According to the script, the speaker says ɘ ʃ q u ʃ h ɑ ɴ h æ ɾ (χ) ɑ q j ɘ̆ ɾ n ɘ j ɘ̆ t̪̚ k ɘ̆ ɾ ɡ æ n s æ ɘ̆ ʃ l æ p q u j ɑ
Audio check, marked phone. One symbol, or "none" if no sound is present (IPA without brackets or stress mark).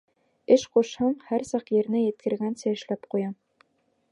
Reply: s